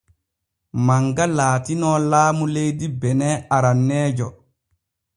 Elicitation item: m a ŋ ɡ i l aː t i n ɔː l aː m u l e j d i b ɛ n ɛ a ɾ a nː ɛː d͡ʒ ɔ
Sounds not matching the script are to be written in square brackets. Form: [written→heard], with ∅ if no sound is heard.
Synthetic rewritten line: m a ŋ ɡ [i→a] l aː t i n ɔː l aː m u l e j d i b ɛ n ɛ a ɾ a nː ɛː d͡ʒ ɔ